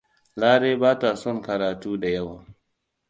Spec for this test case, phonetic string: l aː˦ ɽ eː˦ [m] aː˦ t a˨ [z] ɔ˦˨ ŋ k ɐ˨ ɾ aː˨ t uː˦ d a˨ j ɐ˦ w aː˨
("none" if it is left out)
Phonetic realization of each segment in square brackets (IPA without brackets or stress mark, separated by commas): b, s